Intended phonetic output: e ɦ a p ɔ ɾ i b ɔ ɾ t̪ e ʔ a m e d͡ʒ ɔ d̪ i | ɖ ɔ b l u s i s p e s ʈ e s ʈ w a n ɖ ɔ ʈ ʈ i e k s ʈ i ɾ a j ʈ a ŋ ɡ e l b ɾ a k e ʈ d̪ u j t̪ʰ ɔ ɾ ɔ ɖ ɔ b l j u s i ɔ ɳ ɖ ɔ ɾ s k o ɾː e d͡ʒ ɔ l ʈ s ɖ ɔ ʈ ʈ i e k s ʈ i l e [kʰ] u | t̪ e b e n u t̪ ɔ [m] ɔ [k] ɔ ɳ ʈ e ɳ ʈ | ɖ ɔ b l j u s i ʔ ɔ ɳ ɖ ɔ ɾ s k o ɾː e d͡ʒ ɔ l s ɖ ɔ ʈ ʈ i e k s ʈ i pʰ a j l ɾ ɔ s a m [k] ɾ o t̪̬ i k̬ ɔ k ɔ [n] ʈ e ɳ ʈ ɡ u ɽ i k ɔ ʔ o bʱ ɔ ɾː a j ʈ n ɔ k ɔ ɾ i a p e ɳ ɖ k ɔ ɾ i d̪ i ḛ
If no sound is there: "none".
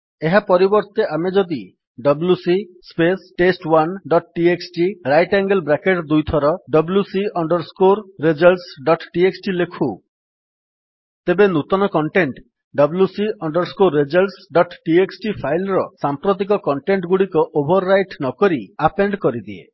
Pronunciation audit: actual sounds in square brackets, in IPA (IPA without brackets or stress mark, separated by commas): kʰ, n, k, p, ɳ